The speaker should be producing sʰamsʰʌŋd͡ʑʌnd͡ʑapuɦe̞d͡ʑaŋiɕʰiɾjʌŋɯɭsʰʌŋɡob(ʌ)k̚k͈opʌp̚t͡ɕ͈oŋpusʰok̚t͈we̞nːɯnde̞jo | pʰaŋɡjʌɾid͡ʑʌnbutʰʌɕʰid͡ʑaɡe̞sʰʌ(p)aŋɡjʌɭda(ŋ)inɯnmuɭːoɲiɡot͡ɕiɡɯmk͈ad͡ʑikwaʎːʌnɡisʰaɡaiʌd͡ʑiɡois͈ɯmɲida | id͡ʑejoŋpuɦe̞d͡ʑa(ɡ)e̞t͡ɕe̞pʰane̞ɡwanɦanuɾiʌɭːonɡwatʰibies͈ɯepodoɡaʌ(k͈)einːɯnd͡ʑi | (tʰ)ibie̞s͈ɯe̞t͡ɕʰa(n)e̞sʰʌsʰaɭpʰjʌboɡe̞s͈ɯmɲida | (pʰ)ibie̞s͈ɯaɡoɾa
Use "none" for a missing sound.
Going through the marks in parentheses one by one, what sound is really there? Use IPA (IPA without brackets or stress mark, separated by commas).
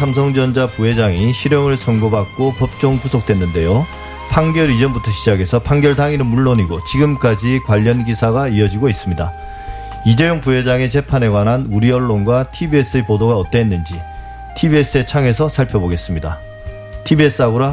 a, pʰ, ŋ, ŋ, t͈, tʰ, ŋ, tʰ